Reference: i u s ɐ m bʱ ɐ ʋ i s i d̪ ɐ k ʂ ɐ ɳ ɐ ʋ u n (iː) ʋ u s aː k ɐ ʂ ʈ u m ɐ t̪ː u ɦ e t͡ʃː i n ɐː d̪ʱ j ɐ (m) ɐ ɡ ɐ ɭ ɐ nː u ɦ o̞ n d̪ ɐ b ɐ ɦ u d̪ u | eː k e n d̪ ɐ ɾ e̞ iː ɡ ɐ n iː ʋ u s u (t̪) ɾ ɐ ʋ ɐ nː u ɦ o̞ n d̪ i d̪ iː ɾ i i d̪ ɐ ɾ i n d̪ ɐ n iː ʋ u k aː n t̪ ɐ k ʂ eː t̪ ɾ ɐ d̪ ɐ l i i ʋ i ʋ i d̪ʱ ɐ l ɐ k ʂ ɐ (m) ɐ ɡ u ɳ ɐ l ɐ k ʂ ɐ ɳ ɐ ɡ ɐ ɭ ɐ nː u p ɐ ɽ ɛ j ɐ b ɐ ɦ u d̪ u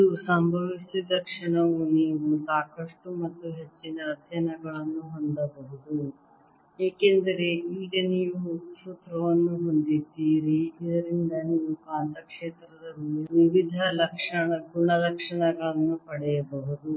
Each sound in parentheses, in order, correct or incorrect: correct, incorrect, correct, incorrect

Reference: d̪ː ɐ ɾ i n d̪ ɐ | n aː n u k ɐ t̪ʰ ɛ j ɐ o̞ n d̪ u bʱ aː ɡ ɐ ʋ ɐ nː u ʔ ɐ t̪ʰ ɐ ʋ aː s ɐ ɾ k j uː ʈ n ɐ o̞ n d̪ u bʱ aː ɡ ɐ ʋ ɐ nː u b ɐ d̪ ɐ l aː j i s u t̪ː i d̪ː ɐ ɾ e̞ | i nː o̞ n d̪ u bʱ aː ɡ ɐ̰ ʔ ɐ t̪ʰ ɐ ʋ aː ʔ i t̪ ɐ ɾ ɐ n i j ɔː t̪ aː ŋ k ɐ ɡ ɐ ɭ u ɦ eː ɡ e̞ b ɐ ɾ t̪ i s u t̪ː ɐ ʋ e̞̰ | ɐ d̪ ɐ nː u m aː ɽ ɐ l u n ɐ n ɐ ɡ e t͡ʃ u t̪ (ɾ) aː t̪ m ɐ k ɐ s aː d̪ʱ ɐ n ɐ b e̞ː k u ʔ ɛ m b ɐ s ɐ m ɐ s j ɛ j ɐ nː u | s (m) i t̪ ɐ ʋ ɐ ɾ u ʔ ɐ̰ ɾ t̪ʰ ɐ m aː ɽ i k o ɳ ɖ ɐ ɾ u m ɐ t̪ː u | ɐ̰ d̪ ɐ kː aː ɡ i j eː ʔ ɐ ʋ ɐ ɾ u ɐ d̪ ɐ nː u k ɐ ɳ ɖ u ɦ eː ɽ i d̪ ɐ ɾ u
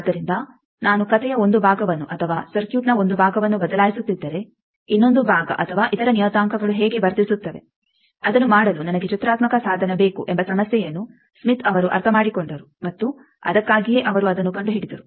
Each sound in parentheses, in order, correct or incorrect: correct, correct

